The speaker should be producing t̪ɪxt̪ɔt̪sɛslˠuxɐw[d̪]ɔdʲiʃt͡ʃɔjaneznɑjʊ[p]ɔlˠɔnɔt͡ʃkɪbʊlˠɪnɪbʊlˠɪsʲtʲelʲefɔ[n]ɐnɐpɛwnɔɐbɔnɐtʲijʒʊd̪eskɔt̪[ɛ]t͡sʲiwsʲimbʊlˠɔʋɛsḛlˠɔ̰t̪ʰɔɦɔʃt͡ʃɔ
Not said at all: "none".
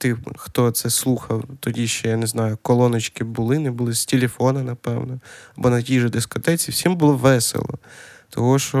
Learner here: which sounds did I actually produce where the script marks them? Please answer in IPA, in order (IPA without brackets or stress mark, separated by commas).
t̪, k, n, ɛ